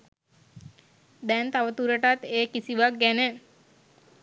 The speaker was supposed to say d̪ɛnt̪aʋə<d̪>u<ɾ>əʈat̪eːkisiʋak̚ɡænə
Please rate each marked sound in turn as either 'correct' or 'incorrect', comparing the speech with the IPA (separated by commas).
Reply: incorrect, correct